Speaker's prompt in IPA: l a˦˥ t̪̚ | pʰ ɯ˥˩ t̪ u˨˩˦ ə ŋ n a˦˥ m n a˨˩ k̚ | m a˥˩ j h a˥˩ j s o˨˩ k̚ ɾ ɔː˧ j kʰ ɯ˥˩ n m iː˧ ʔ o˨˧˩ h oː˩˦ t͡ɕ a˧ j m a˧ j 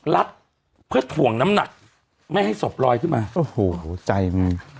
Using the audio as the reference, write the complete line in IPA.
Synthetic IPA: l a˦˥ t̪̚ | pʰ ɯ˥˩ t̪ʰ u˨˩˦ ə ŋ n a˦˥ m n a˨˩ k̚ | m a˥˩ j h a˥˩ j s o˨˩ p̚ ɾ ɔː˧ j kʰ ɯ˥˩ n m aː˧ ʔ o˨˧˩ h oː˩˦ t͡ɕ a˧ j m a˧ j